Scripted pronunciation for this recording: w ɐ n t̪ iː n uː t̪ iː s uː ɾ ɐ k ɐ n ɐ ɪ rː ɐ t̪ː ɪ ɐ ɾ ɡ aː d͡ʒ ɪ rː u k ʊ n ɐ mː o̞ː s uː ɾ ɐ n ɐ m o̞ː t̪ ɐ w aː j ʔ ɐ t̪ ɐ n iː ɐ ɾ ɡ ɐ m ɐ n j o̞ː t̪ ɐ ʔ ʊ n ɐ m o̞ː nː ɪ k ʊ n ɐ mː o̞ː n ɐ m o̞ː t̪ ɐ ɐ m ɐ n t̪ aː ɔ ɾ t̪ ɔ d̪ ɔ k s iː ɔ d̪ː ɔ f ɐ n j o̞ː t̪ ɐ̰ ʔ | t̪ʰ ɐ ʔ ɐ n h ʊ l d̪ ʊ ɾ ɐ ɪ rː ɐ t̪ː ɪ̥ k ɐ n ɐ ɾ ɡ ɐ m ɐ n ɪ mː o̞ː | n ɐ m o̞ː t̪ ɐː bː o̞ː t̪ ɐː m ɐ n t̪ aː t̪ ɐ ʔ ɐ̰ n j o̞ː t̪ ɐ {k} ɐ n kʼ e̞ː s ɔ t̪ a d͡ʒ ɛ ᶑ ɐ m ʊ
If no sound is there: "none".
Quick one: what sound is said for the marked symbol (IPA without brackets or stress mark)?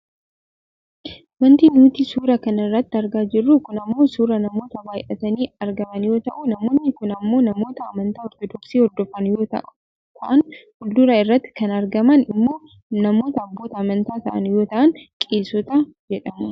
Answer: ʔ